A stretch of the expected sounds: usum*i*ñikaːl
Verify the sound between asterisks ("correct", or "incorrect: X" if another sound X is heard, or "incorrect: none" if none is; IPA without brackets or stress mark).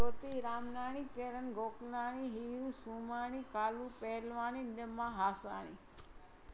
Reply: incorrect: a